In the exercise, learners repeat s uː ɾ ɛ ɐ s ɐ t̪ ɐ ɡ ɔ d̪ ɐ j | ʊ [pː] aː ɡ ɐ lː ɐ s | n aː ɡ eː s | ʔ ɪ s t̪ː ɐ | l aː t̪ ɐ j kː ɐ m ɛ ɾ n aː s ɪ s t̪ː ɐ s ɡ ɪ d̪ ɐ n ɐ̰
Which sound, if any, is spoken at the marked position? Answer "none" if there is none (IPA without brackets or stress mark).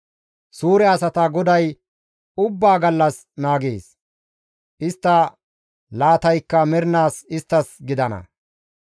bː